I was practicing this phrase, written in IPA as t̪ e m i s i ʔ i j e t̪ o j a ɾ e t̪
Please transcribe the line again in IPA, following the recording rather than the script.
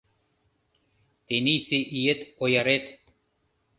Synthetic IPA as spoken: t̪ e n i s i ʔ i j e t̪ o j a ɾ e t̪